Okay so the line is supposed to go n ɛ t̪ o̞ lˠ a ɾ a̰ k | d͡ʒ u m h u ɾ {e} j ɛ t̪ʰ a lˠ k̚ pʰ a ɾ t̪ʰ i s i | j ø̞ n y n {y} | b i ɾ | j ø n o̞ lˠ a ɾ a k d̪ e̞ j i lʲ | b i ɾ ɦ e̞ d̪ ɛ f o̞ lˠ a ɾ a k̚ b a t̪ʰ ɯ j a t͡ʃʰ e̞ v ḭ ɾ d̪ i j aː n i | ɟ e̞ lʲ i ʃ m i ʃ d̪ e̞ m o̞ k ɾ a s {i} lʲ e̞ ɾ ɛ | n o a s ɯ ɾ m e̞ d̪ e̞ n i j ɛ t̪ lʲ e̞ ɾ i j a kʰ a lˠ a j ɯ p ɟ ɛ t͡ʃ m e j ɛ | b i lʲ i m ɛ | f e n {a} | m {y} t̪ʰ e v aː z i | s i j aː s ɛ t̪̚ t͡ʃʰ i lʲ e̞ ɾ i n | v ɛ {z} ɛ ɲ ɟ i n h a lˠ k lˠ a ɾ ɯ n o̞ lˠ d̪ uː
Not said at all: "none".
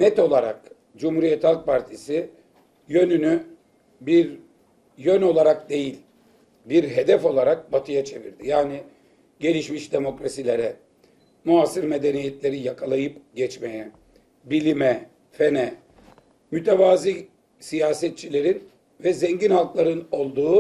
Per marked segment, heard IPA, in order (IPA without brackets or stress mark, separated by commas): i, y, i, ɛ, y, z